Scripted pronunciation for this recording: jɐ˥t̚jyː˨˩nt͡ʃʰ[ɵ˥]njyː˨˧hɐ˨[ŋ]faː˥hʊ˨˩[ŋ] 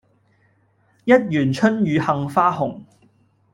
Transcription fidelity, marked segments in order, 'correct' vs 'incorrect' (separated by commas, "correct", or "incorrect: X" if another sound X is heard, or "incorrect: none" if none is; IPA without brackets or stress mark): correct, correct, correct